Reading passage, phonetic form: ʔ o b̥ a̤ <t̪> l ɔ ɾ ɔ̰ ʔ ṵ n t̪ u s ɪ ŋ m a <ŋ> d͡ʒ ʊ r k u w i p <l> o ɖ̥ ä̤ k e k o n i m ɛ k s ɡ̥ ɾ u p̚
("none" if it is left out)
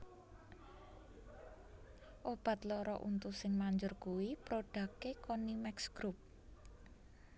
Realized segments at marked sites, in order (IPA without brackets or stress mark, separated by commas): t̪, ɲ, ɾ